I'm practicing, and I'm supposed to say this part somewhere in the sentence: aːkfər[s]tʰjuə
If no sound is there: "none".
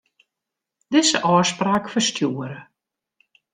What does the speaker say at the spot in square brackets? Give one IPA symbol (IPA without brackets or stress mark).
s